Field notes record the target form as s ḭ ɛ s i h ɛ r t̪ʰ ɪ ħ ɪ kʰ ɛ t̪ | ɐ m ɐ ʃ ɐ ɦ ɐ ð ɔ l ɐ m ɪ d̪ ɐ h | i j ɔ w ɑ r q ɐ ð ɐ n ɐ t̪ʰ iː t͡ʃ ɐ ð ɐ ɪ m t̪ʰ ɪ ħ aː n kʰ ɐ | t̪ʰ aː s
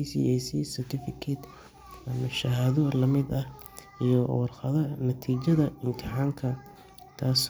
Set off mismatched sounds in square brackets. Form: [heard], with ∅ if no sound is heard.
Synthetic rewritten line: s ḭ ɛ s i [s] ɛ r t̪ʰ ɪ [f] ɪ kʰ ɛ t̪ | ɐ m ɐ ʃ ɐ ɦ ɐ ð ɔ l ɐ m ɪ d̪ ɐ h | i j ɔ w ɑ r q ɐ ð ɐ n ɐ t̪ʰ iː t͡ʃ ɐ ð ɐ ɪ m t̪ʰ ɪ ħ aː [ŋ] kʰ ɐ | t̪ʰ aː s